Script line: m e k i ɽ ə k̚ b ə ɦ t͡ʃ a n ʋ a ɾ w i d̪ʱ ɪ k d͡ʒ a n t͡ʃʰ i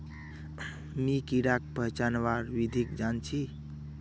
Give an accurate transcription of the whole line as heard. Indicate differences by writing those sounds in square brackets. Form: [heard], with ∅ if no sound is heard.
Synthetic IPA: m [i] k i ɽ [a] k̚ [p] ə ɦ t͡ʃ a n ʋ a ɾ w i d̪ʱ [i] k d͡ʒ a n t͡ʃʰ i